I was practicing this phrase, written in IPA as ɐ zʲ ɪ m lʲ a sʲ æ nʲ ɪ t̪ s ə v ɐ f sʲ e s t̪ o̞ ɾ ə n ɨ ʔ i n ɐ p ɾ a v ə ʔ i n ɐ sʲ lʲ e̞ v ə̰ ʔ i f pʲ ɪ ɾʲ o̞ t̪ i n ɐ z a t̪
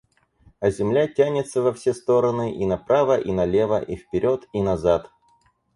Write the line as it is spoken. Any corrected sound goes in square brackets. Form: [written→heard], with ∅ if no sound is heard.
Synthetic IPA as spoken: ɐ zʲ ɪ m lʲ a [sʲ→tʲ] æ nʲ ɪ t̪ s ə v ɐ f sʲ e s t̪ o̞ ɾ ə n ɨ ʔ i n ɐ p ɾ a v ə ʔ i n ɐ [sʲ→∅] lʲ e̞ v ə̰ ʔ i f pʲ ɪ ɾʲ o̞ t̪ i n ɐ z a t̪